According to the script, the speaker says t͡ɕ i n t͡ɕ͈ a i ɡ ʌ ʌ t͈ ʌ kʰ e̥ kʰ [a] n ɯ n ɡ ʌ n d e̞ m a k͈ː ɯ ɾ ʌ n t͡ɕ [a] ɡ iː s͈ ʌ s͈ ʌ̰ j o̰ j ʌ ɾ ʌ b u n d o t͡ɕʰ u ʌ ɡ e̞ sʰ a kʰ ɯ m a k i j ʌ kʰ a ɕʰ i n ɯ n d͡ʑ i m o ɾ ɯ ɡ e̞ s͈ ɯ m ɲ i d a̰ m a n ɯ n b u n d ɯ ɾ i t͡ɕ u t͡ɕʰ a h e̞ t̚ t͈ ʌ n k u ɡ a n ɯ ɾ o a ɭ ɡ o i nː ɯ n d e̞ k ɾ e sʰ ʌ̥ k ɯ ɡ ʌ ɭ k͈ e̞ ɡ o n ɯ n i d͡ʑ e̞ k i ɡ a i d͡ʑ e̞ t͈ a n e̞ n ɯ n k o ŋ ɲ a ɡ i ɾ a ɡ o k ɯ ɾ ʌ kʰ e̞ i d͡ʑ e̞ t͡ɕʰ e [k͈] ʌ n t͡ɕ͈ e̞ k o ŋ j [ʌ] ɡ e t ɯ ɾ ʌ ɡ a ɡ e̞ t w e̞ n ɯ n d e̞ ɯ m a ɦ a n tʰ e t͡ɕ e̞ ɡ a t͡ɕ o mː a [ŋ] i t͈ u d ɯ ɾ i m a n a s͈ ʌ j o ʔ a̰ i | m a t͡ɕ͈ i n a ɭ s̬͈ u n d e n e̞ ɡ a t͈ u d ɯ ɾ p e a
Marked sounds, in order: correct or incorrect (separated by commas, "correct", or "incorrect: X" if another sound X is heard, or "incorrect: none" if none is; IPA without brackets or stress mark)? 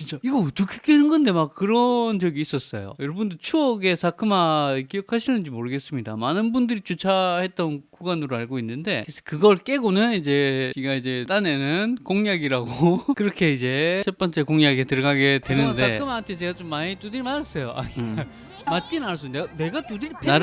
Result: incorrect: e, incorrect: ʌ, incorrect: p͈, incorrect: a, incorrect: ɲ